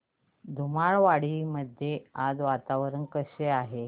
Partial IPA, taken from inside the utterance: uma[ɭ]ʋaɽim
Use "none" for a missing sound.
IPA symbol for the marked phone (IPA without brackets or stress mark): ɭ